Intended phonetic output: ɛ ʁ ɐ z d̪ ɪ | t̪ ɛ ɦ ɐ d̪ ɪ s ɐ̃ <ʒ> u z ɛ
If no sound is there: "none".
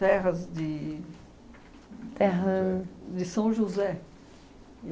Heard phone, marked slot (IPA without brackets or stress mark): ʒ